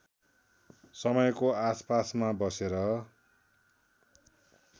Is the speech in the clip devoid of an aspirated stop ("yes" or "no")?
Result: yes